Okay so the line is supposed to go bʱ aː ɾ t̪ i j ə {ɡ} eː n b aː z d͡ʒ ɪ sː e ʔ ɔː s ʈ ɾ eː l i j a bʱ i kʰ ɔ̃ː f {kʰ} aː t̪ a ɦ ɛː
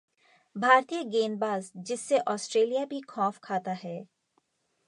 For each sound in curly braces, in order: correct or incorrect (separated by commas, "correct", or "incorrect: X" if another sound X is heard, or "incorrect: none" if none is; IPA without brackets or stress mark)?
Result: correct, correct